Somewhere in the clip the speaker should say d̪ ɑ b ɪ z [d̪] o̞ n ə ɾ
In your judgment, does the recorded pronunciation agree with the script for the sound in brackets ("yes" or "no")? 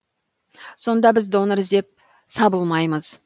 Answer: yes